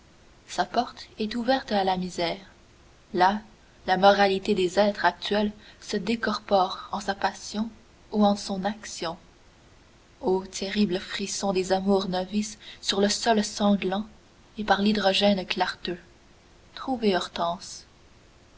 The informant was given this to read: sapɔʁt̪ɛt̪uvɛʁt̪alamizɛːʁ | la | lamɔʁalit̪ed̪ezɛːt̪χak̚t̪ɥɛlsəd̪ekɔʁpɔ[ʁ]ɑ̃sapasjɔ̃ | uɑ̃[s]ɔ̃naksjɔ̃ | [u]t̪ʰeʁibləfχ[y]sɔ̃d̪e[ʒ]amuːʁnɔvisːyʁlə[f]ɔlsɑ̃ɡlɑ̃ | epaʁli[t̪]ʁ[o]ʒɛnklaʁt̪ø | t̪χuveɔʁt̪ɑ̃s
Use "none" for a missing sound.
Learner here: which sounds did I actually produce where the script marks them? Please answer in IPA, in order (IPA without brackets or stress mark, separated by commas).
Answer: ʁ, s, o, i, z, s, d̪, ɔ